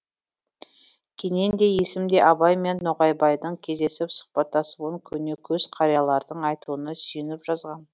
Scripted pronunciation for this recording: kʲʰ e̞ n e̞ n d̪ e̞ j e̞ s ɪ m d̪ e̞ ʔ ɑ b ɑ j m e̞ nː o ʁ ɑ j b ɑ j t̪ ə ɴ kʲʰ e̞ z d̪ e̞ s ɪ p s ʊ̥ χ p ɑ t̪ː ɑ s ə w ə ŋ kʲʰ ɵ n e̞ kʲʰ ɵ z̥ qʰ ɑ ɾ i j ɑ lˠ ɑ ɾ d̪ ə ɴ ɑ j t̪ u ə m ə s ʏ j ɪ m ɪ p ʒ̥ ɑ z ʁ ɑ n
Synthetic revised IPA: kʲʰ e̞ n e̞ n d̪ e̞ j e̞ s ɪ m d̪ e̞ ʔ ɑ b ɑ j m e̞ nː o ʁ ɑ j b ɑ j d̪ ə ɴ kʲʰ e̞ z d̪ e̞ s ɪ p s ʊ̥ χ p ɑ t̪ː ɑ s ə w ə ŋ kʲʰ ɵ n e̞ kʲʰ ɵ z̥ qʰ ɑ ɾ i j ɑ lˠ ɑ ɾ d̪ ə ɴ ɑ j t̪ u ə n ə s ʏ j ɪ n ɪ p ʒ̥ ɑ z ʁ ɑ n